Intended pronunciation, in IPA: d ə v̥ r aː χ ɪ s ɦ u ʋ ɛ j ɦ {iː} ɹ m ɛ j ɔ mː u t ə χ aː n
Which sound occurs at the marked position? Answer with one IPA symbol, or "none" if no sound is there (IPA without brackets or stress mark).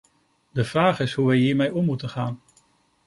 iː